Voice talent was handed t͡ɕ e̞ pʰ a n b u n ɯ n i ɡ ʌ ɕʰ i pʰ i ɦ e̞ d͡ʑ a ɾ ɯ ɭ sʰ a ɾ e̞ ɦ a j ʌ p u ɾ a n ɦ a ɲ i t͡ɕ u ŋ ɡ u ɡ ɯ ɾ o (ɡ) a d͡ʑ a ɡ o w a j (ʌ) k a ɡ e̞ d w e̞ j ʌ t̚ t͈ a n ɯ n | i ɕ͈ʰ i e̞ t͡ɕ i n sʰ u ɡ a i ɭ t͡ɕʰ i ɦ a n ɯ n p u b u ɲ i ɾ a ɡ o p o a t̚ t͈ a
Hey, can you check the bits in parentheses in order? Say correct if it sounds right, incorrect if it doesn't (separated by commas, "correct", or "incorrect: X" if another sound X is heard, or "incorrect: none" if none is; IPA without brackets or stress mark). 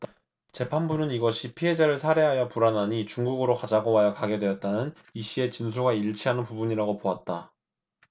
incorrect: k, correct